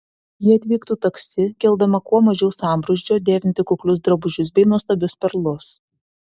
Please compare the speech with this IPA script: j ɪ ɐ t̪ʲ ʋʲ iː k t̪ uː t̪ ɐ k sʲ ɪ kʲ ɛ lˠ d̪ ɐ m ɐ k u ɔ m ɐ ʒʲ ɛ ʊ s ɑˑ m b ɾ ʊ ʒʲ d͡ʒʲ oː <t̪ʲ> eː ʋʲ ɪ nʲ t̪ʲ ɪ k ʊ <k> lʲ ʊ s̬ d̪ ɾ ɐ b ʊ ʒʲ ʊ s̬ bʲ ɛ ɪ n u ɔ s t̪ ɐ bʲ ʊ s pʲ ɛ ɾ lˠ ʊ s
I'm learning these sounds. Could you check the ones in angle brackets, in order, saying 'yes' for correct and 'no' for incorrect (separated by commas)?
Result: no, yes